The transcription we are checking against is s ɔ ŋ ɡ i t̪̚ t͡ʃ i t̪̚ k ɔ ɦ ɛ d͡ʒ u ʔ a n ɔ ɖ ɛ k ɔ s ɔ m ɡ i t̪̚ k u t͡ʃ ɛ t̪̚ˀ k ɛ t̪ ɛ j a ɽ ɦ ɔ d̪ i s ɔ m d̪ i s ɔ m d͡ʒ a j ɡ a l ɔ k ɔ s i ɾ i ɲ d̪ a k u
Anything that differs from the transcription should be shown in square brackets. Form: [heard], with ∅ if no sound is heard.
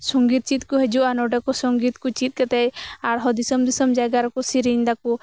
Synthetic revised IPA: s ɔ ŋ ɡ i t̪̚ t͡ʃ i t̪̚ k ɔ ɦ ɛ d͡ʒ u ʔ a n ɔ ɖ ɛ k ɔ s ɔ [ŋ] ɡ i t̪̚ k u t͡ʃ [i] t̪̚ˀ k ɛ t̪ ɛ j a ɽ ɦ ɔ d̪ i s ɔ m d̪ i s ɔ m d͡ʒ a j ɡ a [ɾ] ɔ k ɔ s i ɾ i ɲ d̪ a k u